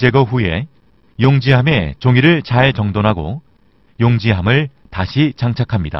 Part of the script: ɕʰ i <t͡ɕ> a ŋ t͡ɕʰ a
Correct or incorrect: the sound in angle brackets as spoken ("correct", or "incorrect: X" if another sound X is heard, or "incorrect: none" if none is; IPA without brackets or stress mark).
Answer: correct